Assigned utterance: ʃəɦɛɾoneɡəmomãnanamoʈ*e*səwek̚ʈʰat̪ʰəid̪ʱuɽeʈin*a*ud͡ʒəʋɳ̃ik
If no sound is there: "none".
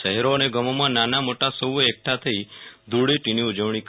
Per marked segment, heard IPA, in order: a, i

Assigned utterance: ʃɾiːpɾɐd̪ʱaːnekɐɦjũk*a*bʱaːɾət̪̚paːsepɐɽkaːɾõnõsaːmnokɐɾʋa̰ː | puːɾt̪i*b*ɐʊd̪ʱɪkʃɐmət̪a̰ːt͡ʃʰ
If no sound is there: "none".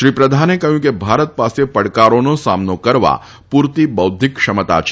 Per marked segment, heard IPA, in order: e, b

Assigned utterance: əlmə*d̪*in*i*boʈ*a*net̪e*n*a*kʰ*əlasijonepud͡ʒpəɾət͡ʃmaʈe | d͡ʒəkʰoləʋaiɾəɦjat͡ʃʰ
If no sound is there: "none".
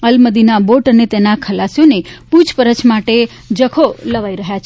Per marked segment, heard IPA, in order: d̪, a, ə, n, kʰ

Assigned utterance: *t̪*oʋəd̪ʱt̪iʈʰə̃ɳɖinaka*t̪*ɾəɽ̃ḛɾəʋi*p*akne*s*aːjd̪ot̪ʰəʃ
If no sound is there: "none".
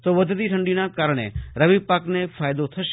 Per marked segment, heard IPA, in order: t̪, none, p, f

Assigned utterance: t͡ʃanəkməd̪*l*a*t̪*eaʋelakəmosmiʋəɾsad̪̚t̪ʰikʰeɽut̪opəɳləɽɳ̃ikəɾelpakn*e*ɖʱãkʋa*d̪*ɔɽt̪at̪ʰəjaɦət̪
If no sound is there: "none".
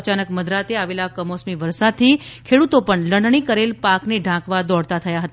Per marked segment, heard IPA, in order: ɾ, t̪, e, d̪

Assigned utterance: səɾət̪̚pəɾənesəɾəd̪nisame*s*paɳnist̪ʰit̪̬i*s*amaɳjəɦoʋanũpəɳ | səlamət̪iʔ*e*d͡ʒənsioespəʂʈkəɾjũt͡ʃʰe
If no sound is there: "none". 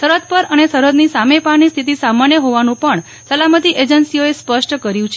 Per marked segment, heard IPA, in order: none, s, e

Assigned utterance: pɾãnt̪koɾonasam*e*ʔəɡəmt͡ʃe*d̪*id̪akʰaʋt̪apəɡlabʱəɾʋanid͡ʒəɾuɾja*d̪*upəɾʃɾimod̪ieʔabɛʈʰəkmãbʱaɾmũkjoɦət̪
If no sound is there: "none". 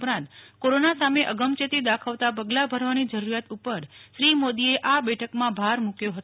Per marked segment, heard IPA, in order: e, t̪, t̪

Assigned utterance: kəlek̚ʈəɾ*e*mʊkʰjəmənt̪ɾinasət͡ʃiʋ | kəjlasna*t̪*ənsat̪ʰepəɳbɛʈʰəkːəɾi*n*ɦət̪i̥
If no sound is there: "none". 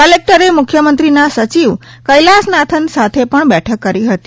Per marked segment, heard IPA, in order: e, t̪ʰ, none

